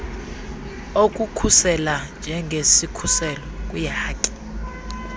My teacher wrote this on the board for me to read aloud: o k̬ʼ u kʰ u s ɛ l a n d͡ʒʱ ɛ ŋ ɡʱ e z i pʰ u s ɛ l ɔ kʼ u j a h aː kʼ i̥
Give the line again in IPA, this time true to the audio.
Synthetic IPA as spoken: o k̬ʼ u kʰ u s ɛ l a n d͡ʒʱ ɛ ŋ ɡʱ e s i kʰ u s ɛ l ɔ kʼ u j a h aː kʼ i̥